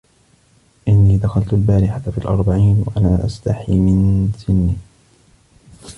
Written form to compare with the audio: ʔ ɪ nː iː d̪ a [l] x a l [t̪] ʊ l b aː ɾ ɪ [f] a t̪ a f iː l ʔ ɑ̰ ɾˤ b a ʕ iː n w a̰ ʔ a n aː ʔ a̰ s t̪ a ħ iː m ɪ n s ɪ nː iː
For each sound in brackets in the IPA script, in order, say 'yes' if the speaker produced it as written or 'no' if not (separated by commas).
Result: no, yes, no